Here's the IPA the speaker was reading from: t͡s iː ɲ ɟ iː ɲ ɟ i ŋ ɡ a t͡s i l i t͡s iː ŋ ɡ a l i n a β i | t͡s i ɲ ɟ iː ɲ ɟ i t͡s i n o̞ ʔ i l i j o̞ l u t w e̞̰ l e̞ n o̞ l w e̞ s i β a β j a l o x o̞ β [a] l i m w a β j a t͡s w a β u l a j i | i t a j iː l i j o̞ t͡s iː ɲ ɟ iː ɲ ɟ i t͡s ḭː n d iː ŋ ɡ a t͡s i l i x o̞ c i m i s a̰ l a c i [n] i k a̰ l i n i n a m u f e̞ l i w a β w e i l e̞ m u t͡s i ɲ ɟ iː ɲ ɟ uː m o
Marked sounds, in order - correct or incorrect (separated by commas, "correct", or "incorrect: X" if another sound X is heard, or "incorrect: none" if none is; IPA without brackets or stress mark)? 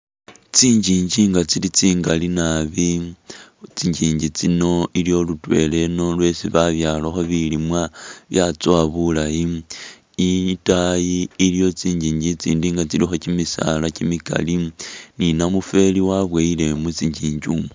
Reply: incorrect: i, incorrect: m